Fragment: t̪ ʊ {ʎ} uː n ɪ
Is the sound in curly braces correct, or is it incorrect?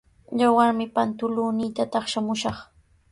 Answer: incorrect